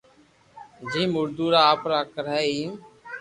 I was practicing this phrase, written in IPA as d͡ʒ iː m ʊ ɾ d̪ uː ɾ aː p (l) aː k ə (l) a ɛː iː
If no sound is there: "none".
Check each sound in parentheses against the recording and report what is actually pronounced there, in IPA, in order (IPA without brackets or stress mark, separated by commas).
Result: ɾ, ɾ